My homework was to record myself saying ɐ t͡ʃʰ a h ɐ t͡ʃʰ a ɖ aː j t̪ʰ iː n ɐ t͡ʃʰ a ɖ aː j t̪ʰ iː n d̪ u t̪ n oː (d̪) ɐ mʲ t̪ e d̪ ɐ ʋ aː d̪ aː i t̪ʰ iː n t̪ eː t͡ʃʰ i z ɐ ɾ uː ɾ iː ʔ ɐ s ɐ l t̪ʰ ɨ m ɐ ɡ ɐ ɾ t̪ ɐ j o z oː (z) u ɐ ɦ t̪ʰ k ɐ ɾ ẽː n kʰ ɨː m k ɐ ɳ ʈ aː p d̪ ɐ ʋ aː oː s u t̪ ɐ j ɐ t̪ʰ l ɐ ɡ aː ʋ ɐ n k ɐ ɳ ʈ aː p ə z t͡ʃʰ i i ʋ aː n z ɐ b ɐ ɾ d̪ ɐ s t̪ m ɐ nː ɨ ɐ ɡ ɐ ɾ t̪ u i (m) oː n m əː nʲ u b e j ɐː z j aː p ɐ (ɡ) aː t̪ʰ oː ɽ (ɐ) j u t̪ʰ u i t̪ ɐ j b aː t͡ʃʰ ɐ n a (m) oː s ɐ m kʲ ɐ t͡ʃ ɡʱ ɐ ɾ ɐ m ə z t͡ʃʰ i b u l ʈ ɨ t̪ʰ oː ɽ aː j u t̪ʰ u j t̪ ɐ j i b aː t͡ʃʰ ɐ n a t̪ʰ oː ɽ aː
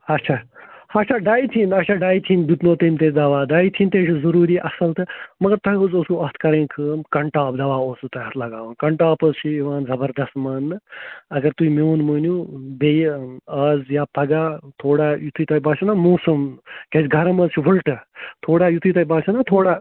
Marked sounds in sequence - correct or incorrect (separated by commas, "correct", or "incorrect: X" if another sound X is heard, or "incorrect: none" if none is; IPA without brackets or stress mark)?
incorrect: t̪, incorrect: s, correct, correct, incorrect: a, correct